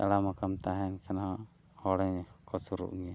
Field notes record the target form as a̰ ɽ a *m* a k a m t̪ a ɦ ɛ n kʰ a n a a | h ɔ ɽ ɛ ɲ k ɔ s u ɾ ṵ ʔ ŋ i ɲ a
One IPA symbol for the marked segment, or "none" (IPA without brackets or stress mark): m